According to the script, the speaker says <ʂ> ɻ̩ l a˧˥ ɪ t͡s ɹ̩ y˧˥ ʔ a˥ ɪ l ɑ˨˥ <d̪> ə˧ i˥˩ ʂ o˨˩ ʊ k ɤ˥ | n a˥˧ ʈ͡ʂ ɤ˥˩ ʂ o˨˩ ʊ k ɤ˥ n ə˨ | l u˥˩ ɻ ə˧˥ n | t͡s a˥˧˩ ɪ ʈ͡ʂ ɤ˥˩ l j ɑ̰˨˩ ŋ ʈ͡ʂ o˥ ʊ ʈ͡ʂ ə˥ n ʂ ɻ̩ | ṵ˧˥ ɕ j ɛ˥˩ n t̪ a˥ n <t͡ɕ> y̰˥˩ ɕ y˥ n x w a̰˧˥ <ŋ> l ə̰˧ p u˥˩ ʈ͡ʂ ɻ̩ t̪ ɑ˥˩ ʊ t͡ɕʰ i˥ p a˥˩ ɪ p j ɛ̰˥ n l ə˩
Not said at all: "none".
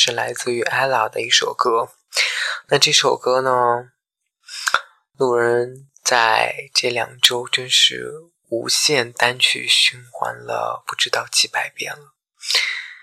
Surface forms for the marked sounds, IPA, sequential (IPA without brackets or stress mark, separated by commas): ʂ, d̪, t͡ɕʰ, n